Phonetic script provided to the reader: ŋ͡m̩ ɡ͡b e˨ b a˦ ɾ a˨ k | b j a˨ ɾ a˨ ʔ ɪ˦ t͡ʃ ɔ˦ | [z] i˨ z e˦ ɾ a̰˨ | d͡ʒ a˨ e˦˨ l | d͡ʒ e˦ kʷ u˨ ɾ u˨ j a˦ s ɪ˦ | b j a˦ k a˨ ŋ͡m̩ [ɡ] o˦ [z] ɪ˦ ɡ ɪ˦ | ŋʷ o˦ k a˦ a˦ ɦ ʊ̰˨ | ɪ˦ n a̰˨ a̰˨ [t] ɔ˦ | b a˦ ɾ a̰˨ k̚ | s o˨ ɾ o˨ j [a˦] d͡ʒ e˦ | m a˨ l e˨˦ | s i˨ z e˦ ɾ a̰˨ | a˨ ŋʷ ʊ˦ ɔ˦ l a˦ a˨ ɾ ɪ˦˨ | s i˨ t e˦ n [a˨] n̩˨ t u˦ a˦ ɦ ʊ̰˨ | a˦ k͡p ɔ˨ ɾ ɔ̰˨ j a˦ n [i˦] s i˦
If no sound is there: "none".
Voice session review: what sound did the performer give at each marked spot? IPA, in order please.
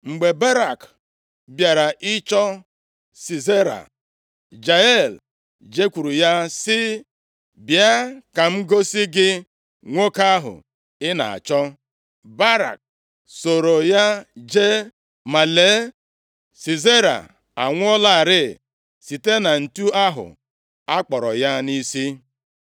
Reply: s, ɡ, s, t͡ʃ, a˦, a˨, i˦

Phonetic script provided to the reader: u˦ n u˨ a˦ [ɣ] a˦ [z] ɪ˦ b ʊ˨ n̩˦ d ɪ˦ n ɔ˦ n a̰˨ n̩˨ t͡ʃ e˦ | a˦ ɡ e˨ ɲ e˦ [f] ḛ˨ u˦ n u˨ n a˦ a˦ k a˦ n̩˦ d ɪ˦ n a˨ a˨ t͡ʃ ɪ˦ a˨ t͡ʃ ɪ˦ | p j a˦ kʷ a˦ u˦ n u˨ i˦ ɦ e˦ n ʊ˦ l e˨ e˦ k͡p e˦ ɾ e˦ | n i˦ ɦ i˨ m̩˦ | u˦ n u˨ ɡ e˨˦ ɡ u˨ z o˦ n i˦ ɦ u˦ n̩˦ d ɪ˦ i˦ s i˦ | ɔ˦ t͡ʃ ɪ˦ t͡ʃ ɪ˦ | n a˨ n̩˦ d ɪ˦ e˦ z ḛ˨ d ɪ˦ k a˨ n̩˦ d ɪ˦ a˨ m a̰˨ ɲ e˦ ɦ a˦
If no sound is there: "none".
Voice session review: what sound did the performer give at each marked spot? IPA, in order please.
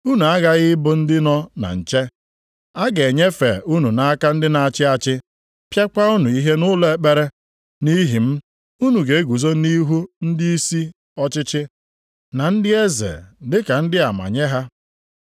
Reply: ɣ, ɣ, f

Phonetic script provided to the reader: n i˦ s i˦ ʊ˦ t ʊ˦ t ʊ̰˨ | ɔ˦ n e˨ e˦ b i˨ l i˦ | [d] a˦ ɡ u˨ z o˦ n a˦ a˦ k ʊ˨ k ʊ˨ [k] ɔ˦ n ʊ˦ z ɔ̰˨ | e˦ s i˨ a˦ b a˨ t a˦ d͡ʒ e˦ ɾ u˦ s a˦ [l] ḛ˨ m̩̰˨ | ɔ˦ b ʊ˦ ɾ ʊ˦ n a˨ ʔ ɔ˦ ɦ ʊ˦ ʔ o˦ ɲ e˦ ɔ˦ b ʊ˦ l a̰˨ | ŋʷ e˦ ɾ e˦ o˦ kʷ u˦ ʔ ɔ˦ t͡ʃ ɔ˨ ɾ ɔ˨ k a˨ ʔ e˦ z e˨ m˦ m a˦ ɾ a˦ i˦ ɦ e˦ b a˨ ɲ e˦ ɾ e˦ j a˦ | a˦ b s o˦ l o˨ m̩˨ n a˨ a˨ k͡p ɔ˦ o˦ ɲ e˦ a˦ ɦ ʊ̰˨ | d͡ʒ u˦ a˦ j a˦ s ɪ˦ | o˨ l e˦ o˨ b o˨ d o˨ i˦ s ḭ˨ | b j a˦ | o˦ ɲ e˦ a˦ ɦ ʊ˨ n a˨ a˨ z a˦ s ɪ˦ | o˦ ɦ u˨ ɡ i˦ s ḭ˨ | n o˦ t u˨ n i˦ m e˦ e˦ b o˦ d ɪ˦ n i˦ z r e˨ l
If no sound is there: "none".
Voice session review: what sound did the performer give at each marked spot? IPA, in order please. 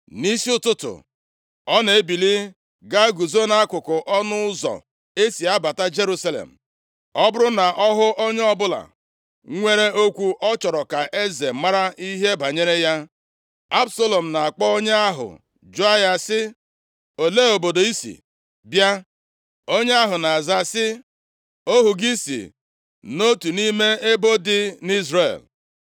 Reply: ɡ, ʔ, l

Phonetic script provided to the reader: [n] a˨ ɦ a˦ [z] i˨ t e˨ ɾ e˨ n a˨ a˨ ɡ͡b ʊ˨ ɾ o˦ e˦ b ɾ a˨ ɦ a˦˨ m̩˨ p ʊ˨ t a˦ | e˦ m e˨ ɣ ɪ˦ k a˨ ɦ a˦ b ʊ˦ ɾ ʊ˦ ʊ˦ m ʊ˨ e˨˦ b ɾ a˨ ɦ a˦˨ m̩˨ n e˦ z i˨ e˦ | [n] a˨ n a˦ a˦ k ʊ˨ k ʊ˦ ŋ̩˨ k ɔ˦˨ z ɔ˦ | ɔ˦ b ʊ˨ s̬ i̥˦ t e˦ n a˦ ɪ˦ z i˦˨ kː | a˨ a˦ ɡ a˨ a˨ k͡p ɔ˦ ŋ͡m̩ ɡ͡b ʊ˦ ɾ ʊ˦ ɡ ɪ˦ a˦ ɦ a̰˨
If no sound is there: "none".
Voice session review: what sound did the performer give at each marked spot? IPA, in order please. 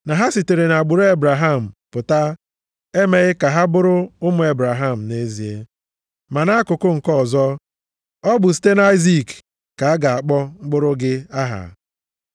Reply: n, s, m

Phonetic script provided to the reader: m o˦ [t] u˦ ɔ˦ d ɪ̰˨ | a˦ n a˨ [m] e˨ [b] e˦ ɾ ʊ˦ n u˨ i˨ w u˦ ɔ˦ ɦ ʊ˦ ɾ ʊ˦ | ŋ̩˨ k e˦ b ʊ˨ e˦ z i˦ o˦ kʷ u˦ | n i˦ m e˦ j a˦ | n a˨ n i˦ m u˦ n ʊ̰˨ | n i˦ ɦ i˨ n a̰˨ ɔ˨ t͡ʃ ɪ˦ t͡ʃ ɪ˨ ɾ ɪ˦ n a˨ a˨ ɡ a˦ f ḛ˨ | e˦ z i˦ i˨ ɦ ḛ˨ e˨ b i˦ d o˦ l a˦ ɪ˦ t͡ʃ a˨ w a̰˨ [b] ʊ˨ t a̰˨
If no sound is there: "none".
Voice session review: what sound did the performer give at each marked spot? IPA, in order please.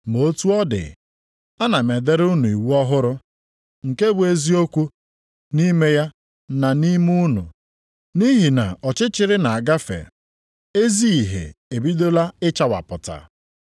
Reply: t, m, d, p

